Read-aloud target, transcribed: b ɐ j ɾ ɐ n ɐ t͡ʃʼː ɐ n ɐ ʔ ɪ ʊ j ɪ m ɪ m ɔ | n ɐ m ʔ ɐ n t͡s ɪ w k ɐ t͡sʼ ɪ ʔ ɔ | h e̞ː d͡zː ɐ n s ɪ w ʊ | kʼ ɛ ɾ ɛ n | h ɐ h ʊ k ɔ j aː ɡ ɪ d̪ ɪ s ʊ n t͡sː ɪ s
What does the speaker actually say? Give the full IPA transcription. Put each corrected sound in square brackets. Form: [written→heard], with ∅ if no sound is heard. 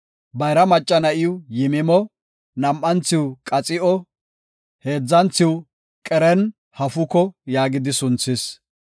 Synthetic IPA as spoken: b ɐ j ɾ ɐ [n→m] ɐ t͡ʃʼː ɐ n ɐ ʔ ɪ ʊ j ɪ m ɪ m ɔ | n ɐ m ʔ ɐ n t͡s ɪ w [k→kʼ] ɐ t͡sʼ ɪ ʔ ɔ | h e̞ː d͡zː ɐ n [s→t͡s] ɪ w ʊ | kʼ ɛ ɾ ɛ n | h ɐ [h→f] ʊ k ɔ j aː ɡ ɪ d̪ ɪ s ʊ n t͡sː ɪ s

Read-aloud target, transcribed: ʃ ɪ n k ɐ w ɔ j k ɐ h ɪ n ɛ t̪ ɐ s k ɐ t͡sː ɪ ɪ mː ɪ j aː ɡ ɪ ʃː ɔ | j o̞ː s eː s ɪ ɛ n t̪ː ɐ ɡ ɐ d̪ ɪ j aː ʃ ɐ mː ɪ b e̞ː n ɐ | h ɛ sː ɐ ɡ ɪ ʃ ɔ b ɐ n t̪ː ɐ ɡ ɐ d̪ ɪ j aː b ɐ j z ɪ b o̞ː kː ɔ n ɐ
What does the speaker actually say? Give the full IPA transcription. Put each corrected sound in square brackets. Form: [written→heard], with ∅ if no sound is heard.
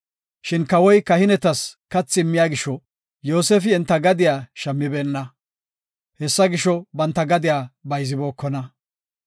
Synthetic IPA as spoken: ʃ ɪ n k ɐ w ɔ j k ɐ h ɪ n ɛ t̪ ɐ s k ɐ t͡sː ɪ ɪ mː ɪ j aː ɡ ɪ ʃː ɔ | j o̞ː s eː [s→f] ɪ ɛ n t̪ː ɐ ɡ ɐ d̪ ɪ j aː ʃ ɐ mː ɪ b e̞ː [n→nː] ɐ | h ɛ sː ɐ ɡ ɪ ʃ ɔ b ɐ n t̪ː ɐ ɡ ɐ d̪ ɪ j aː b ɐ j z ɪ b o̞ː kː ɔ n ɐ

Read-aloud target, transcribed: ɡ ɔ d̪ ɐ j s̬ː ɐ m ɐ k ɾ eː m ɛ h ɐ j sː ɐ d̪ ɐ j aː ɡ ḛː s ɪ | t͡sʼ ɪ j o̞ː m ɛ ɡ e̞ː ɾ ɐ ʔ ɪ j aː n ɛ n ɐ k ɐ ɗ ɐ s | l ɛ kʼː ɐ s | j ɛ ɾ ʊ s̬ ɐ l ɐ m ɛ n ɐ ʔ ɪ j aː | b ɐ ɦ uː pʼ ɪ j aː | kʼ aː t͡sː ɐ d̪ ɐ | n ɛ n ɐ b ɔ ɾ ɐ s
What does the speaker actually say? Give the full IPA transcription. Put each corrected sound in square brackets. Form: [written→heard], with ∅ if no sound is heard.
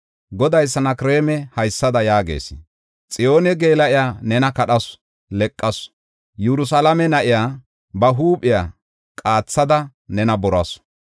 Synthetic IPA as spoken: ɡ ɔ d̪ ɐ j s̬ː ɐ [m→n] ɐ k ɾ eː m ɛ h ɐ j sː ɐ d̪ ɐ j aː ɡ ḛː s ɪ | t͡sʼ ɪ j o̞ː [m→n] ɛ ɡ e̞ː [ɾ→l] ɐ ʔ ɪ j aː n ɛ n ɐ k ɐ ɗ ɐ s | l ɛ kʼː ɐ s | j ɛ ɾ ʊ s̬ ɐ l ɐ m ɛ n ɐ ʔ ɪ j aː | b ɐ ɦ uː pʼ ɪ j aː | kʼ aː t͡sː ɐ d̪ ɐ | n ɛ n ɐ b ɔ ɾ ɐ s

